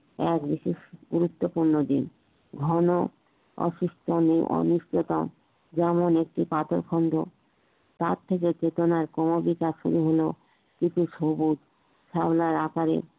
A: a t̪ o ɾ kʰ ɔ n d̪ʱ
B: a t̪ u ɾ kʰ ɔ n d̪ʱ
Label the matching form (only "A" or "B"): A